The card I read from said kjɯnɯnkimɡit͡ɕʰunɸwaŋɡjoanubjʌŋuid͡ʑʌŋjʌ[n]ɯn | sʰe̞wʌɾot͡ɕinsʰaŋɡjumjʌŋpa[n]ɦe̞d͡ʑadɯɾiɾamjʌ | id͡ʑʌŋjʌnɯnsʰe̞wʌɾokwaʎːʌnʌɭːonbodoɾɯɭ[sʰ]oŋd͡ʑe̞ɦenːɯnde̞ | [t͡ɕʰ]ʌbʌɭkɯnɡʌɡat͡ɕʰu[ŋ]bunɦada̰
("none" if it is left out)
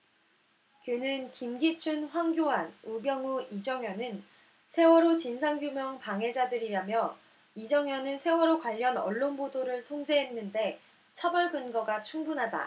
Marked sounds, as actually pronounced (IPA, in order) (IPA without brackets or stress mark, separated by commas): n, ŋ, tʰ, t͡ɕʰ, ŋ